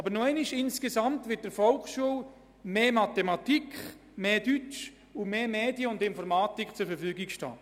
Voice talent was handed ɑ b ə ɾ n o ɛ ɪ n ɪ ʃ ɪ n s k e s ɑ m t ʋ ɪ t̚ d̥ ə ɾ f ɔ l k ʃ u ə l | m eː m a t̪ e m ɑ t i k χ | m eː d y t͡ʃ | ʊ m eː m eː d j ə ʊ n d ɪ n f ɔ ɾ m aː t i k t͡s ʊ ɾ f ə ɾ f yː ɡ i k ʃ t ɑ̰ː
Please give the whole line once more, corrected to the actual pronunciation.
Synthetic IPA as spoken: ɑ b ə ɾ n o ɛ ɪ n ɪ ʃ ɪ n s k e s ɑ m t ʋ ɪ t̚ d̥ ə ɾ f ɔ l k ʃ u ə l | m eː m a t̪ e m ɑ t i k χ | m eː d y t͡ʃ | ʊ m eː m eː d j ə ʊ n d ɪ n f ɔ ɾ m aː t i k t͡s ʊ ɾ f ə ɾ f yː ɡ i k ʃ t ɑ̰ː